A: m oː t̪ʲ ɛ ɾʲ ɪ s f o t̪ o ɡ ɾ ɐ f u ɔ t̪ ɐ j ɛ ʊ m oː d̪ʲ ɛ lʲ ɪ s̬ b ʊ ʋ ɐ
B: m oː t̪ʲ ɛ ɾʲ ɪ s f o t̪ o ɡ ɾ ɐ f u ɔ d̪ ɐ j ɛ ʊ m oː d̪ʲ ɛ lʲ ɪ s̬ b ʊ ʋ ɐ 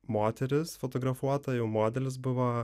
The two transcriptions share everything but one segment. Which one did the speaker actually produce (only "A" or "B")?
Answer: A